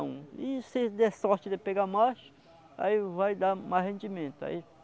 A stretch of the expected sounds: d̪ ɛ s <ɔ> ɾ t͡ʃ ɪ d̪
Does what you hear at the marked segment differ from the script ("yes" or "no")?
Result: no